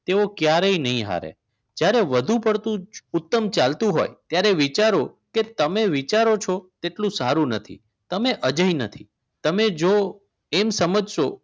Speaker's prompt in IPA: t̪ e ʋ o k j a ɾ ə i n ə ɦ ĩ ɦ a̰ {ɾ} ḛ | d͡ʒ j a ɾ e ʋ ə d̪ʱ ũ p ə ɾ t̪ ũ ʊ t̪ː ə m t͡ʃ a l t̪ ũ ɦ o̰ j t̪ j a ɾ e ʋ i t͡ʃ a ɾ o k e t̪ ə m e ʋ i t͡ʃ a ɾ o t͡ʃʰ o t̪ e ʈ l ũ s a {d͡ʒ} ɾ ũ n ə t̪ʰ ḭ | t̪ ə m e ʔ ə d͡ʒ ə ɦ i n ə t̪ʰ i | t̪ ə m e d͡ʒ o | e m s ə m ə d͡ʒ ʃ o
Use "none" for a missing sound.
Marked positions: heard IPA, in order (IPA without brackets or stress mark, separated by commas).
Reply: ɾ, none